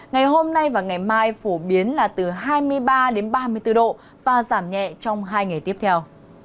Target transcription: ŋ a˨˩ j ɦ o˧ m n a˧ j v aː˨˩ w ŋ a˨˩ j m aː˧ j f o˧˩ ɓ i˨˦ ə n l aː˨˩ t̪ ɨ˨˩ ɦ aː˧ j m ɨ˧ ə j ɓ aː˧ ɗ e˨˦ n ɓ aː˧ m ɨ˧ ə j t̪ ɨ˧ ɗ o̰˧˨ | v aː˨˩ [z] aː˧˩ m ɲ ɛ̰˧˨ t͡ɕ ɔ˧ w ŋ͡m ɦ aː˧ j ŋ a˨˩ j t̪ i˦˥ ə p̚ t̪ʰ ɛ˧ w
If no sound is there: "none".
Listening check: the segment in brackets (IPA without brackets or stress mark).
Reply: z